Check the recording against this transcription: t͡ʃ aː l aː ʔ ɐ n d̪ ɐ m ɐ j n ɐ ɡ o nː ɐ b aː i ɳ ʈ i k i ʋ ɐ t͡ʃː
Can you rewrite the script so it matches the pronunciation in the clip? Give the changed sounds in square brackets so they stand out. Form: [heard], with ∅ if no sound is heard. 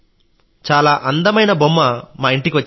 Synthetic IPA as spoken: t͡ʃ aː l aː ʔ ɐ n d̪ ɐ m ɐ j n ɐ [b] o [mː] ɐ [m] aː i ɳ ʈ i k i ʋ ɐ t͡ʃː